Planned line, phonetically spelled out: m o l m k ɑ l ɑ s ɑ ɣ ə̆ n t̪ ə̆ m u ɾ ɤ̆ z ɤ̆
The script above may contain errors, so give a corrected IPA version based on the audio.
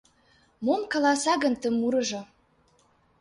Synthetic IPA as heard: m o m k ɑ l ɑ s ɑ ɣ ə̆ n t̪ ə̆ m u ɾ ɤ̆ ʒ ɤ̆